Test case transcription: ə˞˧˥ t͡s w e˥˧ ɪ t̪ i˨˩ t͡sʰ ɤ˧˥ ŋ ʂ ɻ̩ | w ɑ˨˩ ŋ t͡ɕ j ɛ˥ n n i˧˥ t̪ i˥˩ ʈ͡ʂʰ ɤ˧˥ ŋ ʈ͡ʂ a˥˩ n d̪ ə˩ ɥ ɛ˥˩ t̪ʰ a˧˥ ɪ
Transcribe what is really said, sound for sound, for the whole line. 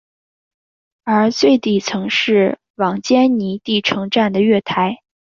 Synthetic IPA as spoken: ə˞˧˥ t͡s w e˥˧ ɪ t̪ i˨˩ t͡sʰ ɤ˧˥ ŋ ʂ ɻ̩ | w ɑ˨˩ ŋ t͡ɕ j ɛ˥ n n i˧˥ t̪ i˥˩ ʈ͡ʂʰ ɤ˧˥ ŋ ʈ͡ʂ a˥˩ n d̪ ə˩ ɥ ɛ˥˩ t̪ʰ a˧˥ ɪ

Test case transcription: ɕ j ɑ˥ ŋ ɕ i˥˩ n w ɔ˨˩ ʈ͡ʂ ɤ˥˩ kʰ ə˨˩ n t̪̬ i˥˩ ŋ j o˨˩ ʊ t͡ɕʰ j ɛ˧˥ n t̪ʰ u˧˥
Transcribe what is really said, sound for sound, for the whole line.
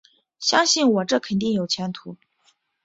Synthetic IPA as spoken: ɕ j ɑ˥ ŋ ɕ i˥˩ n w ɔ˨˩ ʈ͡ʂ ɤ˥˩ kʰ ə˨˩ n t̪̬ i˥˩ ŋ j o˨˩ ʊ t͡ɕʰ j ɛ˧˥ n t̪ʰ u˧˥

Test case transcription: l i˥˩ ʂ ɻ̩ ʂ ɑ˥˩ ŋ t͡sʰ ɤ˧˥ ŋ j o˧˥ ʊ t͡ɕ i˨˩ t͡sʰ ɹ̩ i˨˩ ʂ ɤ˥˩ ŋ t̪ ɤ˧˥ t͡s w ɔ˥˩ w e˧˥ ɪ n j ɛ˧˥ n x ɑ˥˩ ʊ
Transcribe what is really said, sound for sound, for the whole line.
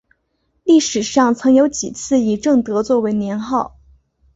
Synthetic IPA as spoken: l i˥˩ ʂ ɻ̩ ʂ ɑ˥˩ ŋ t͡sʰ ɤ˧˥ ŋ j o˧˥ ʊ t͡ɕ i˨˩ t͡sʰ ɹ̩ i˨˩ ʈ͡ʂ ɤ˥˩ ŋ t̪ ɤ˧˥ t͡s w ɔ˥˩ w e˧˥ ɪ n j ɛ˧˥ n x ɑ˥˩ ʊ

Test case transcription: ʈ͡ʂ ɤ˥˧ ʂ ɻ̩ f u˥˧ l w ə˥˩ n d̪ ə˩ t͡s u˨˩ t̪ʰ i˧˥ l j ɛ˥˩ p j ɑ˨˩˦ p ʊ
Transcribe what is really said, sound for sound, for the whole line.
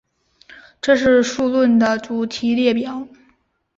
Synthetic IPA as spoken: ʈ͡ʂ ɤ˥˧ ʂ ɻ̩ ʂ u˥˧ l w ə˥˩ n d̪ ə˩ t͡s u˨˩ t̪ʰ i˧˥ l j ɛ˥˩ p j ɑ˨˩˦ ʊ

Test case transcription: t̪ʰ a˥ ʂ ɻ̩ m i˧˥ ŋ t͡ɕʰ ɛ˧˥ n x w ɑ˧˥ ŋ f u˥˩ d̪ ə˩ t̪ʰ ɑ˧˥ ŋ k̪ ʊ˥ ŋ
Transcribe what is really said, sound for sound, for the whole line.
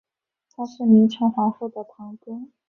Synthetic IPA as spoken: t̪ʰ a˥ ʂ ɻ̩ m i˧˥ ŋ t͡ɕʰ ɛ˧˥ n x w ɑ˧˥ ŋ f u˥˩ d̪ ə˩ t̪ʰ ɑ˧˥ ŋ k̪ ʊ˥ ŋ

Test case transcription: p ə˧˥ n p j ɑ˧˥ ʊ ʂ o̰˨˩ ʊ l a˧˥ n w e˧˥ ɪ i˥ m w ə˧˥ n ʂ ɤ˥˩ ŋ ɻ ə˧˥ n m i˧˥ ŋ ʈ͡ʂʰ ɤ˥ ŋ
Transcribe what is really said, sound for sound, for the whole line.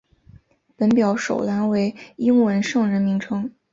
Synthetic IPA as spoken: p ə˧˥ n p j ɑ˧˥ ʊ ʂ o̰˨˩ ʊ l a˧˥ n w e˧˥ ɪ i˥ ŋ w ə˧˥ n ʂ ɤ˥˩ ŋ ɻ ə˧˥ n m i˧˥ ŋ ʈ͡ʂʰ ɤ˥ ŋ

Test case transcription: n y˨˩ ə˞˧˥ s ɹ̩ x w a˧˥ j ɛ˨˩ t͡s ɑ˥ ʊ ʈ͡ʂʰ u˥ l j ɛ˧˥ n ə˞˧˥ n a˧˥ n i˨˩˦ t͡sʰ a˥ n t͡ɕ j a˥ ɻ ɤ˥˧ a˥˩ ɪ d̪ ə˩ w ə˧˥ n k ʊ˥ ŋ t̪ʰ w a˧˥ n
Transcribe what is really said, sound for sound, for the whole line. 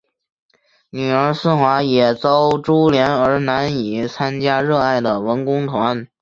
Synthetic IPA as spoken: n y˨˩ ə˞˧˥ s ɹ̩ x w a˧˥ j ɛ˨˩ t͡s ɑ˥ ʊ ʈ͡ʂ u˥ l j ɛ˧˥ n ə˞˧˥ n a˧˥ n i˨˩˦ t͡sʰ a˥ n t͡ɕ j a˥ ɻ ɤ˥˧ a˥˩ ɪ d̪ ə˩ w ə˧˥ n k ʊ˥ ŋ t̪ʰ w a˧˥ n

